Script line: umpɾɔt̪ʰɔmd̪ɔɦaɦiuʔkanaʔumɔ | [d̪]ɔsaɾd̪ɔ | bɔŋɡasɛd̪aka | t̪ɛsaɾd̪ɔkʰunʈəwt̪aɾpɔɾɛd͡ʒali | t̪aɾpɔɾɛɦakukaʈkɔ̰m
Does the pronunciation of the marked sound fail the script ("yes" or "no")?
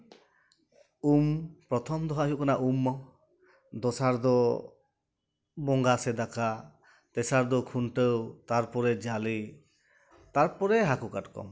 no